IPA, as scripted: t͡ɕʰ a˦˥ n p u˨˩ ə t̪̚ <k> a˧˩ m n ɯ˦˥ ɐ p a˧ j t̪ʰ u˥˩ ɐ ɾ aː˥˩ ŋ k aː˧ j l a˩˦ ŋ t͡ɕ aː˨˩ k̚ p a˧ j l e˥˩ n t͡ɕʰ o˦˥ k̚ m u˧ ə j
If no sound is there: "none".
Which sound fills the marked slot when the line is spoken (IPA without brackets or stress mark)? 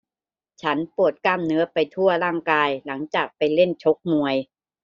k